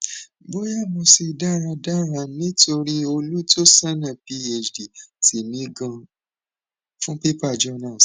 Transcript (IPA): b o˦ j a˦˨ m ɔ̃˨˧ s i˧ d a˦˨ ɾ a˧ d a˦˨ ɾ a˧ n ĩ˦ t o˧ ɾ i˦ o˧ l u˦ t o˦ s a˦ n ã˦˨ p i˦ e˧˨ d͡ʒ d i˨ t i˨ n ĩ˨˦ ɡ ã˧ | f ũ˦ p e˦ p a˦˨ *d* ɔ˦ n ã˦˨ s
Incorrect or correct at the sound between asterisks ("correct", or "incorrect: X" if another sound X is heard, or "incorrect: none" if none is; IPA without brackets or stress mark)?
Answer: incorrect: d͡ʒ